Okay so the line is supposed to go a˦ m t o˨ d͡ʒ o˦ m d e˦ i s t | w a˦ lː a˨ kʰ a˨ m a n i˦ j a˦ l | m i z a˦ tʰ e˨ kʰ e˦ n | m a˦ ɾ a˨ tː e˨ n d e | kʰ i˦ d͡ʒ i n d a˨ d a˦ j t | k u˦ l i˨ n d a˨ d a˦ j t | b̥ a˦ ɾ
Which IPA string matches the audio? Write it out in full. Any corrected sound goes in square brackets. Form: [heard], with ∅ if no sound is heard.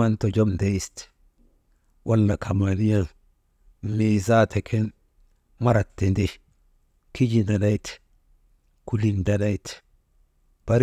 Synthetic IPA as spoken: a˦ [n] t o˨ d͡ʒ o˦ m d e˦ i s t | w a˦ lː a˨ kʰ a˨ m a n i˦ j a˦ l | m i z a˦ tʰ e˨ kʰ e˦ n | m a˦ ɾ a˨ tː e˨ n d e | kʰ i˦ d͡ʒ i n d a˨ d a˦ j t | k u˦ l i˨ n d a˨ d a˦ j t | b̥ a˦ ɾ